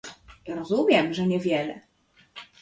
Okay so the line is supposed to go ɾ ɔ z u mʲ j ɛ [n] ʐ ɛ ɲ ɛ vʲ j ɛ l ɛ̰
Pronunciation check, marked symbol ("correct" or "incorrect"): incorrect